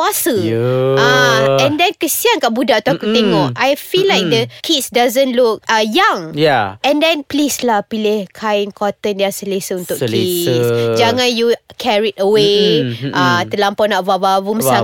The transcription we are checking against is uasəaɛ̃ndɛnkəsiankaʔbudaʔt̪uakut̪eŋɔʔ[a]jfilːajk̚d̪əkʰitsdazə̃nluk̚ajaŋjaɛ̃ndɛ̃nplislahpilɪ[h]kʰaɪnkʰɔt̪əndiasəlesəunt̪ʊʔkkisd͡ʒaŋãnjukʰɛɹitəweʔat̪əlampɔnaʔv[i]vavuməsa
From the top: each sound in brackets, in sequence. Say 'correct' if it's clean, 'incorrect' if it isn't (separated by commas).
correct, correct, incorrect